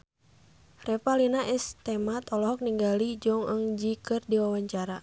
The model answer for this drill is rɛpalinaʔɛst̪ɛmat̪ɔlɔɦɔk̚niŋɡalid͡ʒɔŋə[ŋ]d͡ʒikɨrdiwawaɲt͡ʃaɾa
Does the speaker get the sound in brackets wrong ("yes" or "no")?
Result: no